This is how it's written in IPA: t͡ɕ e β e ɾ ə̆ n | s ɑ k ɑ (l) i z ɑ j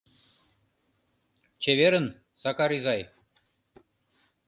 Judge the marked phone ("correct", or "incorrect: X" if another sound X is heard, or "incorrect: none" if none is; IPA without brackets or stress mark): incorrect: ɾ